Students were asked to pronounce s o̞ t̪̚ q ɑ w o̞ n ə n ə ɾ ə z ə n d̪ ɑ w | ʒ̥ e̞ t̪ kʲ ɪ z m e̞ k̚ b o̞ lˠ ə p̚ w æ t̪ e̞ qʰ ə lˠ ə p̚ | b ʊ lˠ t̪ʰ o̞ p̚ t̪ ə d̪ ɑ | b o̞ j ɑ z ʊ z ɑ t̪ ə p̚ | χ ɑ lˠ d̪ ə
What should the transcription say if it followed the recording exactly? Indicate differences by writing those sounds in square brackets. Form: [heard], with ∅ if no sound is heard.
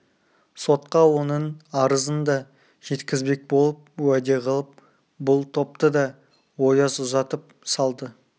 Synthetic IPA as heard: s o̞ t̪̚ q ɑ w o̞ n ə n [ɑ] ɾ ə z ə n d̪ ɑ [∅] | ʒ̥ e̞ t̪ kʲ ɪ z [b] e̞ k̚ b o̞ lˠ ə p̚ w æ [d̪] e̞ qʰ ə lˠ ə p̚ | b ʊ lˠ t̪ʰ o̞ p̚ t̪ ə d̪ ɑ | [w] o̞ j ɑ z ʊ z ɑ t̪ ə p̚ | [s] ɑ lˠ d̪ ə